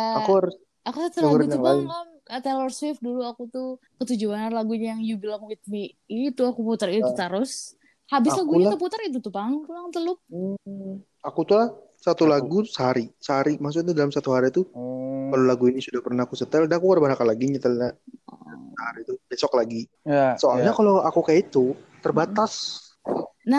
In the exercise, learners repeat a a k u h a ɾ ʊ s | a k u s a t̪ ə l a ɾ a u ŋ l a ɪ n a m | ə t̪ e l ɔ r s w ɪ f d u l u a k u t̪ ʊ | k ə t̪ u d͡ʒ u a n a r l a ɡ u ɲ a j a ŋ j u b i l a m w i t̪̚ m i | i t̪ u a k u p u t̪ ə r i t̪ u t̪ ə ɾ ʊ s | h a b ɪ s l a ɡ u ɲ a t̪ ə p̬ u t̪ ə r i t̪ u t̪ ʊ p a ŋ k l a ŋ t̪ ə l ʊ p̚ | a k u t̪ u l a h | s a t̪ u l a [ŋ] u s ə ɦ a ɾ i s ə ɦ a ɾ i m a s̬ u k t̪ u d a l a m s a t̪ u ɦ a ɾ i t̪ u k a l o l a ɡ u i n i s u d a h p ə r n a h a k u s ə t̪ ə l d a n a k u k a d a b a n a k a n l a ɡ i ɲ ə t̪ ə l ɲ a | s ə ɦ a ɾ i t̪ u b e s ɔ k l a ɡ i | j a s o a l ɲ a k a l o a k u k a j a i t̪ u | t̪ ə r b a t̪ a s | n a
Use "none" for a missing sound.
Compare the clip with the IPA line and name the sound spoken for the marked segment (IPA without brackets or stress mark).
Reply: ɡ